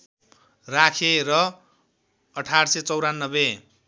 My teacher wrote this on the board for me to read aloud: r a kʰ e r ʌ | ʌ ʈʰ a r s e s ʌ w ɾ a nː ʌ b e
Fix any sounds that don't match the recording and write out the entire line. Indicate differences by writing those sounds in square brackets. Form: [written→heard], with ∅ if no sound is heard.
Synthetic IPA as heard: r a kʰ e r ʌ | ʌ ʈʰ a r s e [s→t͡s] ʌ w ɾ a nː ʌ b e